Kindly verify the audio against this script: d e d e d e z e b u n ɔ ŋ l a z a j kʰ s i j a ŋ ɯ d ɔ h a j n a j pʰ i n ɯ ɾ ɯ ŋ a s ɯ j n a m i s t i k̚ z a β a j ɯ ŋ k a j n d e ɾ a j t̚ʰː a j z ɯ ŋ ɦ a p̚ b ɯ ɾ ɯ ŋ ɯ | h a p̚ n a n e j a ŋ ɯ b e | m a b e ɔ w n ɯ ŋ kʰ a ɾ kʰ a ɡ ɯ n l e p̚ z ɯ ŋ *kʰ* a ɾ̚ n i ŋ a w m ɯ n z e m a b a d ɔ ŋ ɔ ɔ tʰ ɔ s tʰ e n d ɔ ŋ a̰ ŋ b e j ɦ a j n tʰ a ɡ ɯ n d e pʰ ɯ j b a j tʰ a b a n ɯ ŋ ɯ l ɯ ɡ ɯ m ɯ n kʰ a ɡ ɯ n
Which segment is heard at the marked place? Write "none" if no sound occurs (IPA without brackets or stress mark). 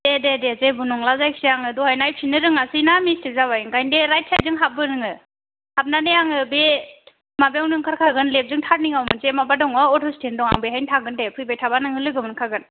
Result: tʰ